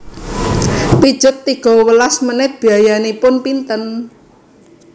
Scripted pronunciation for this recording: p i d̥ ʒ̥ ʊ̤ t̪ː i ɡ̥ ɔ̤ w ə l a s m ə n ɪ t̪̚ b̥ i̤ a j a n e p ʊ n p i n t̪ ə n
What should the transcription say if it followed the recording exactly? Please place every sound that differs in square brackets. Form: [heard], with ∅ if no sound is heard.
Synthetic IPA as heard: p i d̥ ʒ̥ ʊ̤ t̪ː i ɡ̥ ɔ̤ w ə l a s m ə n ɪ t̪̚ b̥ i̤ a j a n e p ʊ n p i n t̪ ə n